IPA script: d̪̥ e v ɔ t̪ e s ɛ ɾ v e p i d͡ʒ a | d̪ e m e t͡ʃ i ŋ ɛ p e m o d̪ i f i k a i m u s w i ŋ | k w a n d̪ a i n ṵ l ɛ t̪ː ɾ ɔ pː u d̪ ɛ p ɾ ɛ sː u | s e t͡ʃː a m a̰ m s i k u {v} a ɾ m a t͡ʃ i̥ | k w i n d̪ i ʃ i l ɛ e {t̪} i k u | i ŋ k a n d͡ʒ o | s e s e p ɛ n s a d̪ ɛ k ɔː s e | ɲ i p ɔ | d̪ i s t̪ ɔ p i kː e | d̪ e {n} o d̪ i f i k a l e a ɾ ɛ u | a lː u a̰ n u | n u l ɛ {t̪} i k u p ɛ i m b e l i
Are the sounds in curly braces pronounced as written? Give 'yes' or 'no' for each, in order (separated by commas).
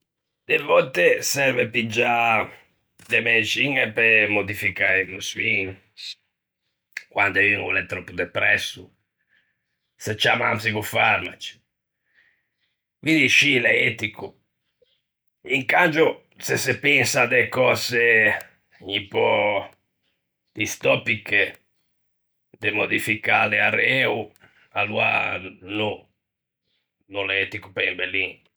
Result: no, yes, no, yes